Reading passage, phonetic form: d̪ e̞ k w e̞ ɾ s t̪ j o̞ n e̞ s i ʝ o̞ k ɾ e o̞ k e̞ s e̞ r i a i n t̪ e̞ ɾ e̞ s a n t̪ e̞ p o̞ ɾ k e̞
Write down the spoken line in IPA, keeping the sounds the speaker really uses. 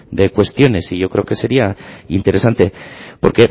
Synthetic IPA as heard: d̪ e̞ k w e̞ s t̪ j o̞ n e̞ s i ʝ o̞ k ɾ e o̞ k e̞ s e̞ ɾ i a i n t̪ e̞ ɾ e̞ s a n t̪ e̞ p o̞ ɾ k e̞

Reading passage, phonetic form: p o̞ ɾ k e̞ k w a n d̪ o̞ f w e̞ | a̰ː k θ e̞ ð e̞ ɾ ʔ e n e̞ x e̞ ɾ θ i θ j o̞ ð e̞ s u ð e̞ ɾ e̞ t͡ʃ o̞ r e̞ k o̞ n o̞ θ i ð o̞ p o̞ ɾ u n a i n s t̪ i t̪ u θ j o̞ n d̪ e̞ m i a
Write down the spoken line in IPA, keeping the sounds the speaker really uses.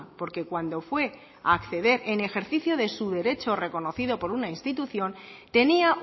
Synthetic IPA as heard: p o̞ ɾ k e̞ k w a n d̪ o̞ f w e̞ | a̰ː k θ e̞ ð e̞ ɾ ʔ e n e̞ x e̞ ɾ θ i θ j o̞ ð e̞ s u ð e̞ ɾ e̞ t͡ʃ o̞ r e̞ k o̞ n o̞ θ i ð o̞ p o̞ ɾ u n a i n s t̪ i t̪ u θ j o̞ n t̪ e̞ n i a

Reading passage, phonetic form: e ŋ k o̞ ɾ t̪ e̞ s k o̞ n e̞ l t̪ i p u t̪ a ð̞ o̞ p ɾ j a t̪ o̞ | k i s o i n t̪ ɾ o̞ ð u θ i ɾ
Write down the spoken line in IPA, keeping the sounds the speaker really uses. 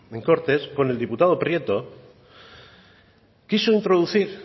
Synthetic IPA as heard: e ŋ k o̞ ɾ t̪ e̞ s k o̞ n e̞ l d̪ i p u t̪ a ð̞ o̞ p ɾ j e t̪ o̞ | k i s o i n t̪ ɾ o̞ ð u θ i ɾ

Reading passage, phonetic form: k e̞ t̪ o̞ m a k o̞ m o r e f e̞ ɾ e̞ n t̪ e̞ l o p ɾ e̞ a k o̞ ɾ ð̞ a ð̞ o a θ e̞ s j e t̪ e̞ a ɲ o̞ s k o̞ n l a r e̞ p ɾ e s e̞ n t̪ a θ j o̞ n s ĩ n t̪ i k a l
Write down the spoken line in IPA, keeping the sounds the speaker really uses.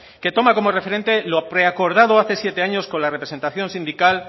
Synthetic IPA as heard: k e̞ t̪ o̞ m a k o̞ m o r e f e̞ ɾ e̞ n t̪ e̞ l o p ɾ e̞ a k o̞ ɾ ð̞ a ð̞ o a θ e̞ s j e t̪ e̞ a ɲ o̞ s k o̞ n l a r e̞ p ɾ e s e̞ n t̪ a θ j o̞ n s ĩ n d̪ i k a l

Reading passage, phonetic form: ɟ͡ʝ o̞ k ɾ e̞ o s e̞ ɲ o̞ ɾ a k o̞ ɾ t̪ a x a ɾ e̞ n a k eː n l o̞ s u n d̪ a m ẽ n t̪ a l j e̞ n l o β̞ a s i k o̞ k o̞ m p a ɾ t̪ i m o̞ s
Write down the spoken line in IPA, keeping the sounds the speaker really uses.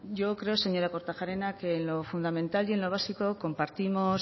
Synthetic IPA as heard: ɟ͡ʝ o̞ k ɾ e̞ o s e̞ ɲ o̞ ɾ a k o̞ ɾ t̪ a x a ɾ e̞ n a k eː n l o̞ f u n d̪ a m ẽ n t̪ a l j e̞ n l o β̞ a s i k o̞ k o̞ m p a ɾ t̪ i m o̞ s

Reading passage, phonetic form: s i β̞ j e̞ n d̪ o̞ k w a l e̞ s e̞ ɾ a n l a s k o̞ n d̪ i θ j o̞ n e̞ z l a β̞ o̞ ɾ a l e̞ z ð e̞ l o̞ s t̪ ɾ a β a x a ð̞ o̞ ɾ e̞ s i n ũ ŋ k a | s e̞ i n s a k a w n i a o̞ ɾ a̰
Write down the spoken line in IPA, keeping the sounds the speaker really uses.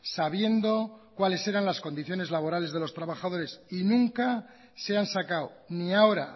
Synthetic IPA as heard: s a β̞ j e̞ n d̪ o̞ k w a l e̞ s e̞ ɾ a n l a s k o̞ n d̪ i θ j o̞ n e̞ z l a β̞ o̞ ɾ a l e̞ z ð e̞ l o̞ s t̪ ɾ a β a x a ð̞ o̞ ɾ e̞ s i n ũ ŋ k a | s e̞ a n s a k a w n i a o̞ ɾ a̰

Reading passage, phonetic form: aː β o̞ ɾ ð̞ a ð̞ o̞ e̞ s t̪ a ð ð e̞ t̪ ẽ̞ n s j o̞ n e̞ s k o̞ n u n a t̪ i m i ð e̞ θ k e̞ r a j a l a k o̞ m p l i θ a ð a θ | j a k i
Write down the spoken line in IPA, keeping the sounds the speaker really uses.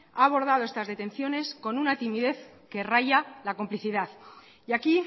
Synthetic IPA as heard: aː β o̞ ɾ ð̞ a ð̞ o̞ e̞ s t̪ a z ð e̞ t̪ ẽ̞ n θ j o̞ n e̞ s k o̞ n u n a t̪ i m i ð e̞ θ k e̞ r a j a l a k o̞ m p l i θ i ð a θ | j a k i

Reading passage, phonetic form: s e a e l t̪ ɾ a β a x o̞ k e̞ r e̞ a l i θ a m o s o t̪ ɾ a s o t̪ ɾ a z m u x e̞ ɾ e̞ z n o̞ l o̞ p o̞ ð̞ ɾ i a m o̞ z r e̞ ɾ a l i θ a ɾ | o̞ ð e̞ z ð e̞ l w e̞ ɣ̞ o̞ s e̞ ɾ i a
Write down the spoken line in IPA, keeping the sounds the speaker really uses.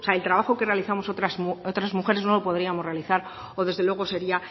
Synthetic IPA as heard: s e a e l t̪ ɾ a β a x o̞ k e̞ r e̞ a l i θ a m o s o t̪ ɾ a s o t̪ ɾ a z m u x e̞ ɾ e̞ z n o̞ l o̞ p o̞ ð̞ ɾ i a m o̞ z r e̞ a l i θ a ɾ | o̞ ð e̞ z ð e̞ l w e̞ ɣ̞ o̞ s e̞ ɾ i a

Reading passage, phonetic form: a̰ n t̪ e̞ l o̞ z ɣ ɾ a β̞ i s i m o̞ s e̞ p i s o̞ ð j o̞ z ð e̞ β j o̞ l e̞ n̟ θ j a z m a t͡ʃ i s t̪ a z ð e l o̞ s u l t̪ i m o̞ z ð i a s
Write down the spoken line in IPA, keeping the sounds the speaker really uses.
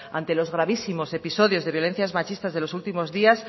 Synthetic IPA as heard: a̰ n t̪ e̞ l o̞ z ɣ ɾ a β̞ i s i m o̞ s e̞ p i s o̞ ð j o̞ z ð e̞ β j o̞ l e̞ n̟ θ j a z m a t͡ʃ i s t̪ a z ð e l o̞ s u l t̪ i m o̞ z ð i a s

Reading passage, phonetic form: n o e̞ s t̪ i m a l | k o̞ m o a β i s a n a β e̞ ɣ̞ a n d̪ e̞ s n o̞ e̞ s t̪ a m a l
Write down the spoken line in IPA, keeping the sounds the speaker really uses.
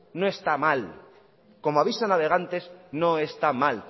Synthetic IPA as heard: n o e̞ s t̪ a m a l | k o̞ m o a β i s a n a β e̞ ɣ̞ a n t̪ e̞ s n o̞ e̞ s t̪ a m a l

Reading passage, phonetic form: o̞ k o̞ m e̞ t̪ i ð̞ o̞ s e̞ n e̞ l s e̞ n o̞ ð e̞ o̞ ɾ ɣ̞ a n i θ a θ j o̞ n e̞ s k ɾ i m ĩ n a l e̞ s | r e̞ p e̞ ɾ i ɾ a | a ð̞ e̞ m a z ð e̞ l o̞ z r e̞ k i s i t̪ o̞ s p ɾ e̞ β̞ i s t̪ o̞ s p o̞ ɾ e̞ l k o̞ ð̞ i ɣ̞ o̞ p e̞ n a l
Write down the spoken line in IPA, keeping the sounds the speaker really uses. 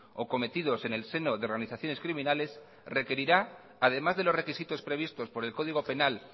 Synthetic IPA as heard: o̞ k o̞ m e̞ t̪ i ð̞ o̞ s e̞ n e̞ l s e̞ n o̞ ð e̞ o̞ ɾ ɣ̞ a n i θ a θ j o̞ n e̞ s k ɾ i m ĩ n a l e̞ s | r e̞ k e̞ ɾ i ɾ a | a ð̞ e̞ m a z ð e̞ l o̞ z r e̞ k i s i t̪ o̞ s p ɾ e̞ β̞ i s t̪ o̞ s p o̞ ɾ e̞ l k o̞ ð̞ i ɣ̞ o̞ p e̞ n a l

